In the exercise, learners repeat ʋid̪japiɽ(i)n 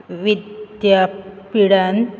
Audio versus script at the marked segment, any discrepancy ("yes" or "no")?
yes